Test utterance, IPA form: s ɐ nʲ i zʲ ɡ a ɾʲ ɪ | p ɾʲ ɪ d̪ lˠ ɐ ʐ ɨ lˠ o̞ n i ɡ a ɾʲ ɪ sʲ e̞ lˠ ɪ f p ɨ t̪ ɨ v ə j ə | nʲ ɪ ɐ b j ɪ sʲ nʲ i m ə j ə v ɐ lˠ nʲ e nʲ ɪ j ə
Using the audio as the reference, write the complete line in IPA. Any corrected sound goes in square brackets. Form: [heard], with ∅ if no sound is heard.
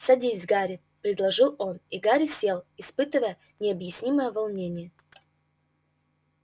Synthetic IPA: s ɐ [dʲ] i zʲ ɡ a ɾʲ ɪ | p ɾʲ ɪ d̪ lˠ ɐ ʐ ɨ lˠ o̞ n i ɡ a ɾʲ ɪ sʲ e̞ lˠ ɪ [s] p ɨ t̪ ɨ v ə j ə | nʲ ɪ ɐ b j ɪ sʲ nʲ i m ə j ə v ɐ lˠ nʲ e nʲ ɪ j ə